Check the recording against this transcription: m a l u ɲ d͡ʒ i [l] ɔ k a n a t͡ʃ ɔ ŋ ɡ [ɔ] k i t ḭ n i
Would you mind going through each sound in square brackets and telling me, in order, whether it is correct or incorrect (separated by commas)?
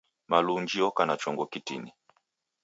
incorrect, correct